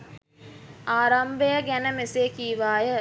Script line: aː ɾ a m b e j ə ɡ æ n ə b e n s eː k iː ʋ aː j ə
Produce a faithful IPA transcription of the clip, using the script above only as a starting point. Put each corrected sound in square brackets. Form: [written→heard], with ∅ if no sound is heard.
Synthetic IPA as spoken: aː ɾ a m b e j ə ɡ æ n ə [b→m] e [n→∅] s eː k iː ʋ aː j ə